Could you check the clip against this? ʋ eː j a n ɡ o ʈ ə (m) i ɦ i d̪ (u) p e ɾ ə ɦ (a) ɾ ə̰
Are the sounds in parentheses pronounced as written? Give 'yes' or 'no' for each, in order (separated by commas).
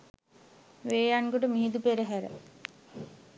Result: yes, yes, no